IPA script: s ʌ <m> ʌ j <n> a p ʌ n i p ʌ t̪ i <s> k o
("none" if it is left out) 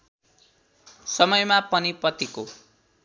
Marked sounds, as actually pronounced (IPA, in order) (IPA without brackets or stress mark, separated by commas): m, m, none